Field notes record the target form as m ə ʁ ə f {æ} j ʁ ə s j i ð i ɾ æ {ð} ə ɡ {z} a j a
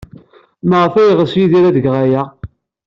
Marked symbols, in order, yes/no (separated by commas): yes, yes, no